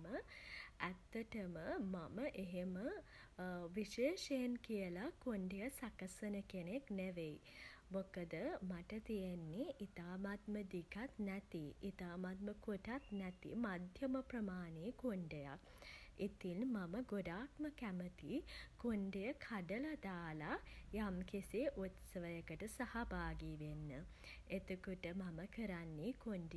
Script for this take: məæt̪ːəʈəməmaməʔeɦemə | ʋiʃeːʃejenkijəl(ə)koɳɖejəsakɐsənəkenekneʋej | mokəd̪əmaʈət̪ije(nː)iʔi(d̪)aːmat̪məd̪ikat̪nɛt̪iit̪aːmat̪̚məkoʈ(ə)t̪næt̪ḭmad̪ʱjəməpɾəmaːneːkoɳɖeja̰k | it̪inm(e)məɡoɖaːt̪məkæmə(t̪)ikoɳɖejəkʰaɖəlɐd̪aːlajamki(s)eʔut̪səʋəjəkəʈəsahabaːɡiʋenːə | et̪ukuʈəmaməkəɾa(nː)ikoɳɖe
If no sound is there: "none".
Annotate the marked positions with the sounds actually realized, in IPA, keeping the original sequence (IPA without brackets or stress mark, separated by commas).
a, nː, t̪, a, a, t̪, s, nː